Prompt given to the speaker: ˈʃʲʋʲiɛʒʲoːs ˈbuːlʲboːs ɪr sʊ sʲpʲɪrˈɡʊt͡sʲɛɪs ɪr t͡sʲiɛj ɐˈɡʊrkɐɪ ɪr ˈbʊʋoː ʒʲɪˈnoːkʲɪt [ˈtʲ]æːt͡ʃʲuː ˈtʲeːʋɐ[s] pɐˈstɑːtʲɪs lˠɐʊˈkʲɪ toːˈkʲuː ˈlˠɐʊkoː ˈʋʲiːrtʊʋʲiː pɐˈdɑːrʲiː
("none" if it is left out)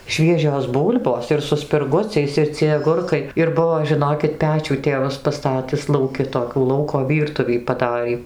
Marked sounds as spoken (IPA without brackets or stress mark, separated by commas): pʲ, s